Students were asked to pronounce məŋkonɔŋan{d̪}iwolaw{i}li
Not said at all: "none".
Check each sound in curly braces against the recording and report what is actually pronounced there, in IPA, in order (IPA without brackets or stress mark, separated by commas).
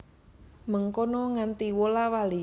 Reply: t̪, a